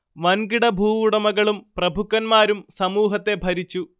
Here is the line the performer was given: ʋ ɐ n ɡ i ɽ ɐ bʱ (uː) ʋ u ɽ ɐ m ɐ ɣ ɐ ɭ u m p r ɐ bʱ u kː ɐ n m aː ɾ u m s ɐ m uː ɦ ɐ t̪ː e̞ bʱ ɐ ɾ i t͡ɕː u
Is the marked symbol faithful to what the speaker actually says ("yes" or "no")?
yes